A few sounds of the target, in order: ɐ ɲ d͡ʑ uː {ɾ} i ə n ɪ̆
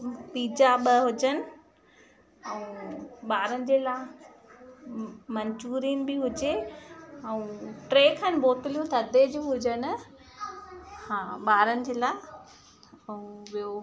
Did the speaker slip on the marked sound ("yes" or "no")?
no